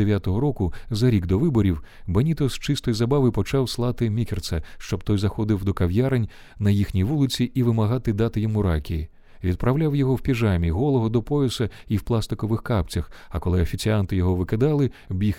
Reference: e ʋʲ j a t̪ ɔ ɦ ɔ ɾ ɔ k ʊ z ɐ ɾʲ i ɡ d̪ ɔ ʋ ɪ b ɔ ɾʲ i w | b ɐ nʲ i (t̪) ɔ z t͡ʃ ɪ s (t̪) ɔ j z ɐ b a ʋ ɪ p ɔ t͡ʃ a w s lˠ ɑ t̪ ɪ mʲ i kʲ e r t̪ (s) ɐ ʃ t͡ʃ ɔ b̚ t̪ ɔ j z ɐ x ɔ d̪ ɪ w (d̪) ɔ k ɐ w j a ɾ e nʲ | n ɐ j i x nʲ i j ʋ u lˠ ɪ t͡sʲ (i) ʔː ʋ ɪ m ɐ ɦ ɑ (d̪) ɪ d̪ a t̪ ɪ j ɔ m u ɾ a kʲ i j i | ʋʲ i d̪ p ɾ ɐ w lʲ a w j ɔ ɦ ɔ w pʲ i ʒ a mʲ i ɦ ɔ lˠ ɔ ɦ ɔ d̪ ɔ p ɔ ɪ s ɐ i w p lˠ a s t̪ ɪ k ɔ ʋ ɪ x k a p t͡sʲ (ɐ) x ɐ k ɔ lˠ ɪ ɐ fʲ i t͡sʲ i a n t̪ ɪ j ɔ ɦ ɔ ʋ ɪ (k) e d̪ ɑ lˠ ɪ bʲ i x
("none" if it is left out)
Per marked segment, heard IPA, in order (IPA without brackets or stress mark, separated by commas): t̪, t̪, s, d̪, i, t̪, ɐ, k